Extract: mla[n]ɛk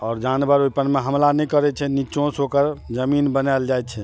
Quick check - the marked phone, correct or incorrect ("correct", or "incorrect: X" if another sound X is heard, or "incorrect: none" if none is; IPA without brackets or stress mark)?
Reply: correct